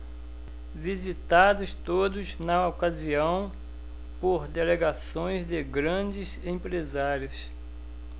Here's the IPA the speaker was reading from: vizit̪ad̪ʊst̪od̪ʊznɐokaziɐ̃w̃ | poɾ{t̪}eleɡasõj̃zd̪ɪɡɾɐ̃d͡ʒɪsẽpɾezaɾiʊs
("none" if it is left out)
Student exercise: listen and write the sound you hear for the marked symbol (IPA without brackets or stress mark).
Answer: d̪